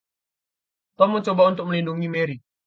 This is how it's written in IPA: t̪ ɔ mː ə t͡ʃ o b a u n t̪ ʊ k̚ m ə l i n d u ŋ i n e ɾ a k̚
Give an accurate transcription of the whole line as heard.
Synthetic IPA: t̪ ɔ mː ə t͡ʃ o b a u n t̪ ʊ k̚ m ə l i n d u ŋ i m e ɾ i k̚